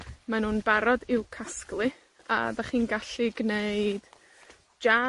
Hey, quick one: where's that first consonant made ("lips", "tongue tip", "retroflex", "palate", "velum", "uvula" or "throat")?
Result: lips